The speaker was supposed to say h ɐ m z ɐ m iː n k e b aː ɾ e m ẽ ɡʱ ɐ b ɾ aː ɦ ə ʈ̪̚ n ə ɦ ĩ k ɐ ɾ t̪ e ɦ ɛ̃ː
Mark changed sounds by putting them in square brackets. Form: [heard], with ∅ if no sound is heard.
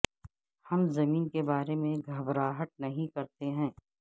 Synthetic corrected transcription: h ɐ m z ɐ m iː n k e b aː ɾ e m ẽ ɡʱ ɐ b ɾ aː ɦ ə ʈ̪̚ n [ɐ] ɦ ĩ k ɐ ɾ t̪ e ɦ ɛ̃ː